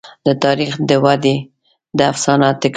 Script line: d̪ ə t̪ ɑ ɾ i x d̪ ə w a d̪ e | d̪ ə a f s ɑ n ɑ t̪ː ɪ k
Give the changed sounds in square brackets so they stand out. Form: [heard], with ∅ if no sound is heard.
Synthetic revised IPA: d̪ ə t̪ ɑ ɾ i x d̪ ə w a d̪ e | d̪ ə a f s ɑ n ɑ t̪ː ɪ k